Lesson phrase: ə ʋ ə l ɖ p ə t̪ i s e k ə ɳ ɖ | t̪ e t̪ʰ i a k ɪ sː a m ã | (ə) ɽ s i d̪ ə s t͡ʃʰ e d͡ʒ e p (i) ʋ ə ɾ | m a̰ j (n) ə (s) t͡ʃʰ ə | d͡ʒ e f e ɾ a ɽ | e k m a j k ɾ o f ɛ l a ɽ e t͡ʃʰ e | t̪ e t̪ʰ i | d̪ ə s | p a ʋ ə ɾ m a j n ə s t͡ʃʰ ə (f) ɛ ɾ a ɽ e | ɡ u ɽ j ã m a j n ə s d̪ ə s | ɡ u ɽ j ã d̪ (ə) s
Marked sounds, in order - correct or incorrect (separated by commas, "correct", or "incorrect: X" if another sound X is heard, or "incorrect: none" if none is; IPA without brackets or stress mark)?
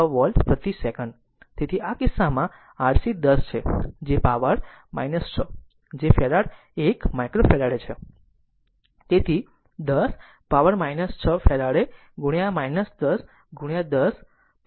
incorrect: a, incorrect: a, correct, correct, correct, correct